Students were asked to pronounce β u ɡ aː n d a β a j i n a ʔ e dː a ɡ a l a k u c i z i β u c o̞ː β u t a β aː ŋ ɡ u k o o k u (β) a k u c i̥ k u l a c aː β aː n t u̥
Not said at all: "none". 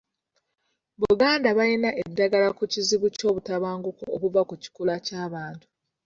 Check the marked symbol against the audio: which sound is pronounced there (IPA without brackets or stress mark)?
v